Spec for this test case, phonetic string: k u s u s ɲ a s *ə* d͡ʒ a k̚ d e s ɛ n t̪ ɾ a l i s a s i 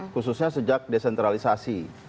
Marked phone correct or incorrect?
correct